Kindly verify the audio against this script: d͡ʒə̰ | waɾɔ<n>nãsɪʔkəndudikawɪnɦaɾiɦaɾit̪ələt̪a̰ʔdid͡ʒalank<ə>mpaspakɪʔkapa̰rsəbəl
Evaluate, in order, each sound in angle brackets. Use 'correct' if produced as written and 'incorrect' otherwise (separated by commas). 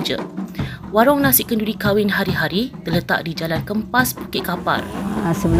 incorrect, correct